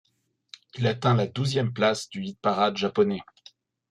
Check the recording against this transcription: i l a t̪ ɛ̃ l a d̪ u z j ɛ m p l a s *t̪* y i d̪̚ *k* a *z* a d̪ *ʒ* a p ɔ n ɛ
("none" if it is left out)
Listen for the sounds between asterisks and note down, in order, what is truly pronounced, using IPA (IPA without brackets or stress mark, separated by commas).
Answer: d̪, p, ʁ, ʒ